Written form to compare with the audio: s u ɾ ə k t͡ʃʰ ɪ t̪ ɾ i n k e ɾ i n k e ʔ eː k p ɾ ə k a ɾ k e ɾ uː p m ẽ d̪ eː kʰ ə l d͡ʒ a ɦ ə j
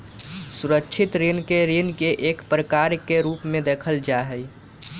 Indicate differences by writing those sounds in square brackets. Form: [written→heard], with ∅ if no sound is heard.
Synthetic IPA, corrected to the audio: s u ɾ ə k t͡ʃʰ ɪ t̪ ɾ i n k e ɾ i n k e ʔ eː k p ɾ ə k a ɾ k e ɾ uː p m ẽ d̪ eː kʰ ə l d͡ʒ a ɦ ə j